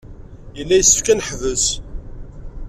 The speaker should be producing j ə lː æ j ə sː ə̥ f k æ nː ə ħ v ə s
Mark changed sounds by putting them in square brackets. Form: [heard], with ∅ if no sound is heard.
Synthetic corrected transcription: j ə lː æ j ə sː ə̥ f k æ [n] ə ħ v ə s